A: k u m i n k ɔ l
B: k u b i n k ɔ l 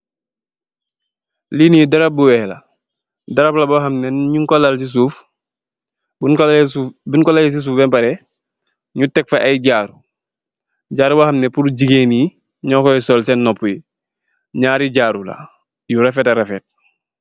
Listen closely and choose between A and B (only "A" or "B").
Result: B